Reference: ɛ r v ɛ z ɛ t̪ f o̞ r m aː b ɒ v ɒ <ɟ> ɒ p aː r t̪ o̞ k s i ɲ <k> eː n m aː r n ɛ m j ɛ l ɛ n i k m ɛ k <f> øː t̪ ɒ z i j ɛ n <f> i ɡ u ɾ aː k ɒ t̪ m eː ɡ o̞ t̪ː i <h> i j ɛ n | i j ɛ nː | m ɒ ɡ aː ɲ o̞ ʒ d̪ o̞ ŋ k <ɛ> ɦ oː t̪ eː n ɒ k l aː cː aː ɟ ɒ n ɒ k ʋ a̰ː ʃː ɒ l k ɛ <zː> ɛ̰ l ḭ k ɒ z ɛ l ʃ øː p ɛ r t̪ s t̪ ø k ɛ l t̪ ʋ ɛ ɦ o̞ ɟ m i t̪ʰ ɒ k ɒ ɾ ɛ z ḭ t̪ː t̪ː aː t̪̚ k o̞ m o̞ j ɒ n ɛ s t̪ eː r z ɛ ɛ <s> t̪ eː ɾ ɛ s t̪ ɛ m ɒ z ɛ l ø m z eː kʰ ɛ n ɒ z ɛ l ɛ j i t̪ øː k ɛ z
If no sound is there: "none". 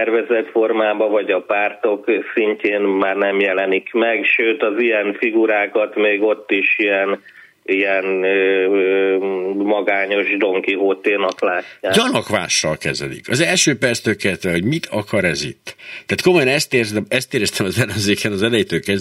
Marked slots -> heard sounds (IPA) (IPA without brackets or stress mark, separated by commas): ɟ, c, ʃ, f, ʃ, i, z, s